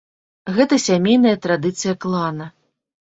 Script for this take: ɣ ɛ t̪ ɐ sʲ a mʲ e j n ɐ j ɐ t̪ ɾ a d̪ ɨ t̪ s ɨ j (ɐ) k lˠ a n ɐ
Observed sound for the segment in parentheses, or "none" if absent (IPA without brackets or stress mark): ɐ